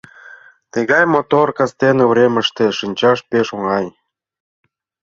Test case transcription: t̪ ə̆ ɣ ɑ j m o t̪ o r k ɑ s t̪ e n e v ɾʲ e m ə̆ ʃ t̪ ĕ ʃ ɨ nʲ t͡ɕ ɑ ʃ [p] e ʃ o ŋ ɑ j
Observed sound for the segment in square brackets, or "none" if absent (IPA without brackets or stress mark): p